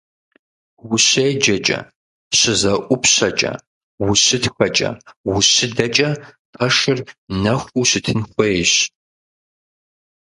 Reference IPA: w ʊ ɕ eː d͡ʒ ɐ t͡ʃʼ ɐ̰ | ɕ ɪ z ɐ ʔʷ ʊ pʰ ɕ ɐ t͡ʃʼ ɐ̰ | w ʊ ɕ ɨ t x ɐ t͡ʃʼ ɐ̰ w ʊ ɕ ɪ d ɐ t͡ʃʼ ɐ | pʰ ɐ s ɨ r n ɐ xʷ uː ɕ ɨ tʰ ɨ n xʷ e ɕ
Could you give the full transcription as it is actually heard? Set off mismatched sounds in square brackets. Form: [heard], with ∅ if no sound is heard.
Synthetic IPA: w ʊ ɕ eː d͡ʒ ɐ t͡ʃʼ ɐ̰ | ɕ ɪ z ɐ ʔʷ ʊ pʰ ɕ ɐ t͡ʃʼ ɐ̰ | w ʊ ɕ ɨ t x ɐ t͡ʃʼ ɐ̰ w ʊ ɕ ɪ d ɐ t͡ʃʼ ɐ | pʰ ɐ [ʂ] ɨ r n ɐ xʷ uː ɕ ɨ tʰ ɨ n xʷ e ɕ